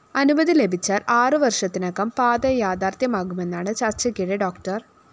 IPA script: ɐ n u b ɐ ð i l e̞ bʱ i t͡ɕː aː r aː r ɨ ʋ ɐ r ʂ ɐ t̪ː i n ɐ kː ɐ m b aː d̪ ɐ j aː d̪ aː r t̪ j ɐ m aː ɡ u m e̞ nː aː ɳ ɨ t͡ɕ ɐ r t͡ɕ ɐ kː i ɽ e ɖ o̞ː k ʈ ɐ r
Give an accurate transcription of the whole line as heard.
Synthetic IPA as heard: ɐ n u b ɐ ð i l e̞ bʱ i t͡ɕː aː r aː r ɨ ʋ ɐ r ʂ ɐ t̪ː i n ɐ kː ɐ m p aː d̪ ɐ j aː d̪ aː r t̪ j ɐ m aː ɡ u m e̞ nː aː ɳ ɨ t͡ɕ ɐ r t͡ɕ ɐ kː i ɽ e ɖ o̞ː k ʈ ɐ r